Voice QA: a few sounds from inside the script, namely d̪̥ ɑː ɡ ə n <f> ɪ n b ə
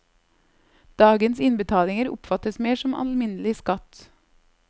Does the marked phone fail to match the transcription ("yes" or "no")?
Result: yes